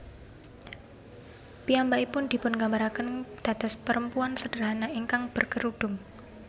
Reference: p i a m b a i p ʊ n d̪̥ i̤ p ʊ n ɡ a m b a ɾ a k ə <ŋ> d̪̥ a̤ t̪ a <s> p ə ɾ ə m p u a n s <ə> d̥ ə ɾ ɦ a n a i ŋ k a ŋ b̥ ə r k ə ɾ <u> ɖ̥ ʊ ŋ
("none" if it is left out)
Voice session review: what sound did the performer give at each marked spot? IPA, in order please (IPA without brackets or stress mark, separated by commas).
n, s, ə, u